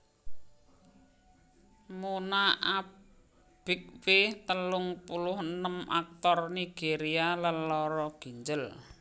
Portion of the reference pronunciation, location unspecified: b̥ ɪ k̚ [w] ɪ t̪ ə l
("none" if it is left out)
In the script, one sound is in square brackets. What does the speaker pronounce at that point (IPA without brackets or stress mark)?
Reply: w